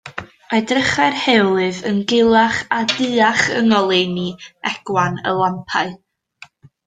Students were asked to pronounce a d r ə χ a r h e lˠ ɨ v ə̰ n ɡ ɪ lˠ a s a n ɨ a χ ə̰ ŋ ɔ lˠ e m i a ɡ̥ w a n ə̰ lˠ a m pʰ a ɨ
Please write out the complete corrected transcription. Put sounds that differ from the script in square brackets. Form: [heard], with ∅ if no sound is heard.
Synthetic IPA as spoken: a d r ə χ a r h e lˠ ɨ v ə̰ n ɡ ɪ lˠ a [χ] a [d] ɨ a χ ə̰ ŋ ɔ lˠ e [n] i [ɛ] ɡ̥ w a n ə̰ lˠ a m pʰ a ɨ